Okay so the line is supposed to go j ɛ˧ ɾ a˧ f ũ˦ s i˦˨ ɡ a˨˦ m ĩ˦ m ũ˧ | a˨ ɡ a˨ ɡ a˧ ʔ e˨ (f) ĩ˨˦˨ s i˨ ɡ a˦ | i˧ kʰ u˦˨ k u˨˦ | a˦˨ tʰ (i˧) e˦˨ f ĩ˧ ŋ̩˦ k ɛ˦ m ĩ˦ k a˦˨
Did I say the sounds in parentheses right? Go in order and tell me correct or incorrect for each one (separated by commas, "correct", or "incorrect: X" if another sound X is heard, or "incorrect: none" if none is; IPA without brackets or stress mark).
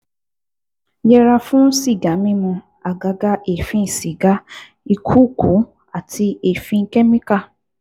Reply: correct, correct